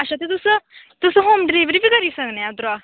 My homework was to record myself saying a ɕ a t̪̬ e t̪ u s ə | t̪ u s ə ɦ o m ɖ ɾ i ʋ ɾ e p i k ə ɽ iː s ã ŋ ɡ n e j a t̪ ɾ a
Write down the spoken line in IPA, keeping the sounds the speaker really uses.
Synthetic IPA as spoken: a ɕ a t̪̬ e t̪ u s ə | t̪ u s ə ɦ o m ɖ ɾ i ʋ ɾ i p i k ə ɾ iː s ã ŋ ɡ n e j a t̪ ɾ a